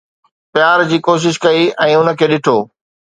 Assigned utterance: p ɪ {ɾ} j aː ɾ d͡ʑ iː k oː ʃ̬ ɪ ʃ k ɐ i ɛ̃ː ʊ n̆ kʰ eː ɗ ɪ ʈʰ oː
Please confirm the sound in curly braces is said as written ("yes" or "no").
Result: no